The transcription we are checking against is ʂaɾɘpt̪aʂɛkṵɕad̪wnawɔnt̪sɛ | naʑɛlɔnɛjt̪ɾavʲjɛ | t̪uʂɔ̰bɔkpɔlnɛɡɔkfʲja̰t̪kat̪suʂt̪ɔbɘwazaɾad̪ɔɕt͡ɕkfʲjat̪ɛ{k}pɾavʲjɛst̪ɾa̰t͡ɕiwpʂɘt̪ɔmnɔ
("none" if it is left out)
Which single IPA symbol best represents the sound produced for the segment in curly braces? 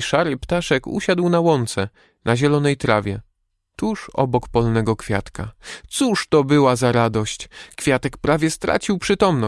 k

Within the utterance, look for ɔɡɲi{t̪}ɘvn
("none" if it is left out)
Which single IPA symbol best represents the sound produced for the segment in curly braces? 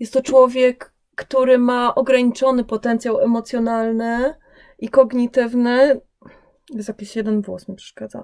t̪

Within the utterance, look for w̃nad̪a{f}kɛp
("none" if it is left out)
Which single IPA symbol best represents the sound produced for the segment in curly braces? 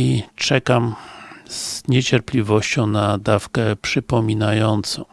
f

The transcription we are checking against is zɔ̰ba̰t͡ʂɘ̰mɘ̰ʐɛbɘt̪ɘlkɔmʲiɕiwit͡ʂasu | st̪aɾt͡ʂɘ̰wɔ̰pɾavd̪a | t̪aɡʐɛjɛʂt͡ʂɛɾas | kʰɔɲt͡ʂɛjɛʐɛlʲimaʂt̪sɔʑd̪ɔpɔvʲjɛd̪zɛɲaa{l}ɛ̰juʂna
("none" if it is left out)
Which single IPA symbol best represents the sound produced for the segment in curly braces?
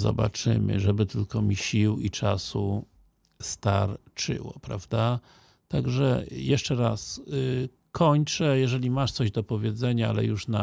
l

